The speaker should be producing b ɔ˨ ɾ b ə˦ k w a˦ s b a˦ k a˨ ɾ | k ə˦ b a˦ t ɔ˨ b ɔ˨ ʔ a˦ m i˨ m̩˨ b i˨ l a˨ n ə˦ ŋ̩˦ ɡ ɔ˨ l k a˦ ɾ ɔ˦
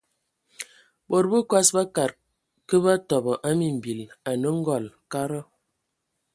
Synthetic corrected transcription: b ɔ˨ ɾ b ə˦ k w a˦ s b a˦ k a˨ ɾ | k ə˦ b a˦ t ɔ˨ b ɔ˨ ʔ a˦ m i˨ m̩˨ b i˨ l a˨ n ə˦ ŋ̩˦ ɡ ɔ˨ l k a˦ ɾ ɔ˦